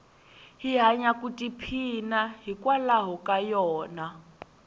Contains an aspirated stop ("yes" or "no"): yes